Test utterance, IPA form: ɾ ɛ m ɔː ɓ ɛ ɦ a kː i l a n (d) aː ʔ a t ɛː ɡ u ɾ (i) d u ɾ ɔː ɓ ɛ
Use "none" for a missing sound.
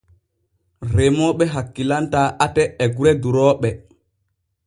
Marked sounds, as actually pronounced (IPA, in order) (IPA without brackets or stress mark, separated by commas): t, ɛ